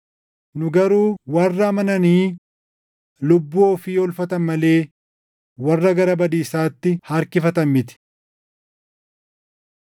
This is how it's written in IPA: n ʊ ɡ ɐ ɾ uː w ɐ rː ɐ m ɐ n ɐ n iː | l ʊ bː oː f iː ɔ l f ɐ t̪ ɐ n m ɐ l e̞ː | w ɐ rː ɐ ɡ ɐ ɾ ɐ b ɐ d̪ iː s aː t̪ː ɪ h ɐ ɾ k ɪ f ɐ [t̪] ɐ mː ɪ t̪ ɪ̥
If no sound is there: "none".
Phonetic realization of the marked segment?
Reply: t̪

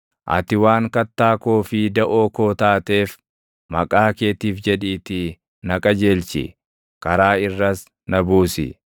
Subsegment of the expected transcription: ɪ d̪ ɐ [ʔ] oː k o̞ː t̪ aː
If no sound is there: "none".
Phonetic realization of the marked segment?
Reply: ʔ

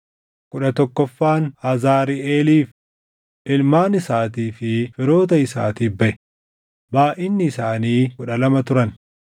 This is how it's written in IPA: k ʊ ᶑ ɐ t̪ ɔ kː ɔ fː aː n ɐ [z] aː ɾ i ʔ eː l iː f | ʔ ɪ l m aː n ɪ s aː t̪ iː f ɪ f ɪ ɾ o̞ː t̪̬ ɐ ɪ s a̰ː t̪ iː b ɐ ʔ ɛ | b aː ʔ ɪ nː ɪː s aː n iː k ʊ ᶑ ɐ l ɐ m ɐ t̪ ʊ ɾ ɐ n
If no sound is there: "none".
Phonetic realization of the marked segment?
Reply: z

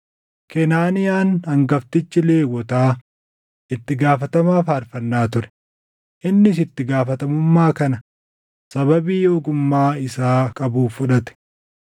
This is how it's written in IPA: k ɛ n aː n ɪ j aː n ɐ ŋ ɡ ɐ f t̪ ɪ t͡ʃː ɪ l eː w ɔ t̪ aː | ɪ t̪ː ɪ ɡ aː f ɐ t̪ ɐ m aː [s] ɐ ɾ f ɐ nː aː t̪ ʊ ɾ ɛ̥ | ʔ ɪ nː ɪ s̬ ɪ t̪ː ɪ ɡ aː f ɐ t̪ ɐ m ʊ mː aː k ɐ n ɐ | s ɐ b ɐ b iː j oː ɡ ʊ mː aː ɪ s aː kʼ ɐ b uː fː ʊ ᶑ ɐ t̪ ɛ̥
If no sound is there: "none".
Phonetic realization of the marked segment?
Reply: f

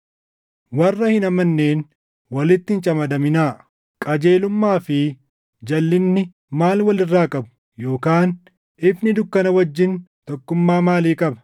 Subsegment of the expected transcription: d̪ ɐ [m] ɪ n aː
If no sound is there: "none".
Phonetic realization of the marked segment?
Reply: m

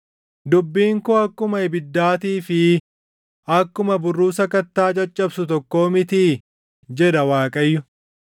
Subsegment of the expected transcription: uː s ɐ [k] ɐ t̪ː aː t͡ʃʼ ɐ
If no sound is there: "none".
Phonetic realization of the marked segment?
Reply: k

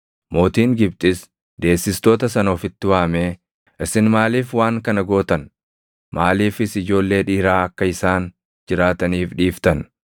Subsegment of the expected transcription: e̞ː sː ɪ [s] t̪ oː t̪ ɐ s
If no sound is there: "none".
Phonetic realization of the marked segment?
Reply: s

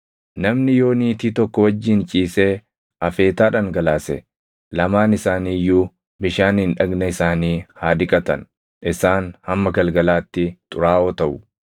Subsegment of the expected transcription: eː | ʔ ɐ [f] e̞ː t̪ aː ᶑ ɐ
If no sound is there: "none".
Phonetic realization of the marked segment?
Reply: f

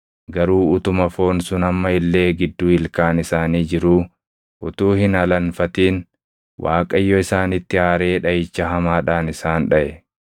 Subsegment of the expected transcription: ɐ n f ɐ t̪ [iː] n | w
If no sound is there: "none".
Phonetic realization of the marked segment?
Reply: iː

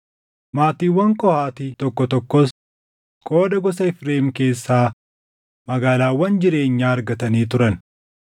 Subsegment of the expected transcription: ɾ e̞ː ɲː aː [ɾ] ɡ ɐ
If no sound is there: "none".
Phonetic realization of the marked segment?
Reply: ɾ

